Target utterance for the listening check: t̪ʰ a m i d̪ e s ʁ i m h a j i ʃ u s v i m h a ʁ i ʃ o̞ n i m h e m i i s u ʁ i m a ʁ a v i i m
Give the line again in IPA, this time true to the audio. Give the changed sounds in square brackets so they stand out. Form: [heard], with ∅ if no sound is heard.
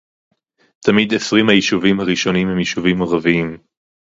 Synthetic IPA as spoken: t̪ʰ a m i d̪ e s ʁ i m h a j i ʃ u [∅] v i m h a ʁ i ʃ o̞ n i m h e m [j] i [ʃ] u [v] i m a ʁ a v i i m